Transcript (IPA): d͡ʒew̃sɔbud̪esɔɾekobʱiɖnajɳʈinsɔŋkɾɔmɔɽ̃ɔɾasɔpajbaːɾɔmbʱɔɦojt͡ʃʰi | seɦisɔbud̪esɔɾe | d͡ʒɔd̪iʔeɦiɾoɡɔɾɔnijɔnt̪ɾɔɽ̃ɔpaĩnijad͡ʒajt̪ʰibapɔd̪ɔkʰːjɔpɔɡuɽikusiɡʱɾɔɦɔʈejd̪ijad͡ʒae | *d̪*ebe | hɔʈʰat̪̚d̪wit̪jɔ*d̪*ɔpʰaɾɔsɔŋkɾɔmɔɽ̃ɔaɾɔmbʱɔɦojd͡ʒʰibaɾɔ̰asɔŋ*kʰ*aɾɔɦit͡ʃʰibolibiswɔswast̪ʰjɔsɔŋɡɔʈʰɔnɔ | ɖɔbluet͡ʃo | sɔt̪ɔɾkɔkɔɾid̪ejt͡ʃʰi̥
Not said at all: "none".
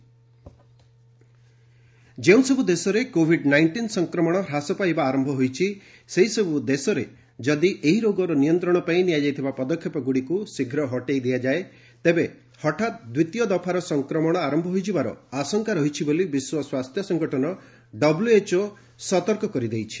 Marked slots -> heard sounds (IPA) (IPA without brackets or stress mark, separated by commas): t̪, d̪, k